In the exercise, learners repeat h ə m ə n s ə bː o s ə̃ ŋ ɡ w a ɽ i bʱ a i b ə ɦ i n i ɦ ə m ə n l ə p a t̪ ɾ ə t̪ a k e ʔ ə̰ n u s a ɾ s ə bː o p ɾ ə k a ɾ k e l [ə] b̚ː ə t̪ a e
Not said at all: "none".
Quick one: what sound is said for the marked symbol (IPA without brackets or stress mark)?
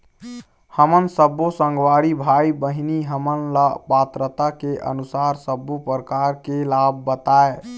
a